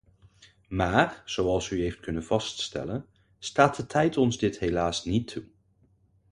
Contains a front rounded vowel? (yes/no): yes